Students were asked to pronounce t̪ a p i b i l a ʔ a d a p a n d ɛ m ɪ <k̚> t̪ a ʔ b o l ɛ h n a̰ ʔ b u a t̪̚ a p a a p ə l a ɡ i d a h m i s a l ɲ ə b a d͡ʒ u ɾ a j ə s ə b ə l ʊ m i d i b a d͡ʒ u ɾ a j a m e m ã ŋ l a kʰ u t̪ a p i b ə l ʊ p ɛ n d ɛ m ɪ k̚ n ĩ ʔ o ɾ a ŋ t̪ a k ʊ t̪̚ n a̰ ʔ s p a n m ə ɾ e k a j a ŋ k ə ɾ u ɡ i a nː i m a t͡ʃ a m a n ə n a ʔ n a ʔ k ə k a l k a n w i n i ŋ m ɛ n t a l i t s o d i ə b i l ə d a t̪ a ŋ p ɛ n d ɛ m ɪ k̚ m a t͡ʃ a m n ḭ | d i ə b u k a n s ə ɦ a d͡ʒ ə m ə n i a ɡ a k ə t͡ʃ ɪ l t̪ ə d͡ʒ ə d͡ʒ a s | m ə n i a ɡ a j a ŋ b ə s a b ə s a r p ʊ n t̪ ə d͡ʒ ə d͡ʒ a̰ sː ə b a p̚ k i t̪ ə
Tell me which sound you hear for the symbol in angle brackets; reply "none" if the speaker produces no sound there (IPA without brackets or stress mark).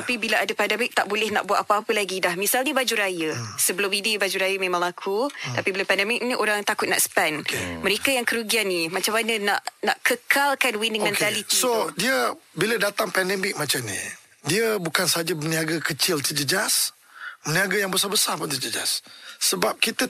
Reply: k̚